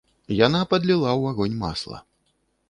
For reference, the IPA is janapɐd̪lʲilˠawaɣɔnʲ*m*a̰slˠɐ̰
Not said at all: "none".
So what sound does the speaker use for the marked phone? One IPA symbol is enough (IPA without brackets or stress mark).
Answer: m